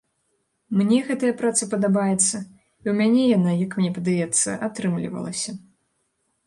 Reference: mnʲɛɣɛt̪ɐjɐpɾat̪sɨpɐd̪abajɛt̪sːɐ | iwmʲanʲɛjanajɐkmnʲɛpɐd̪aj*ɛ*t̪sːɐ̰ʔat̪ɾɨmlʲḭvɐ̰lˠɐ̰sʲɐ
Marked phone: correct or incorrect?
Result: correct